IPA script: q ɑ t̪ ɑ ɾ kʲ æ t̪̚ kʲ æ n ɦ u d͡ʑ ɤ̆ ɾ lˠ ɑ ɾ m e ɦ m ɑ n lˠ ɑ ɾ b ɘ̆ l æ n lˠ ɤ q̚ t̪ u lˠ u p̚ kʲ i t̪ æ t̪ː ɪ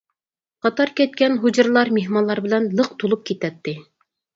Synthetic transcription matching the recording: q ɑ t̪ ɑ ɾ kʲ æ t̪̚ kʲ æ n ɦ u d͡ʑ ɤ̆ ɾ lˠ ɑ ɾ m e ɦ m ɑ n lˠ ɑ ɾ b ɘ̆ l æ n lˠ ɤ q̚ t̪ u lˠ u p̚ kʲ i t̪ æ t̪ː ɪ